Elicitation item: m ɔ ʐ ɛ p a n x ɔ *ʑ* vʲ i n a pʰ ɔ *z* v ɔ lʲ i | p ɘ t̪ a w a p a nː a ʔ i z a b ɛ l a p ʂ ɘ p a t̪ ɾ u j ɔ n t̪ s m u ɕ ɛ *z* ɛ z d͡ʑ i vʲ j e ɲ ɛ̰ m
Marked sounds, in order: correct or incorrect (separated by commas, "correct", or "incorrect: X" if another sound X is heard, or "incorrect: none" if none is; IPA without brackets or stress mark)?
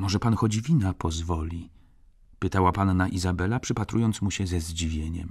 incorrect: d͡ʑ, correct, correct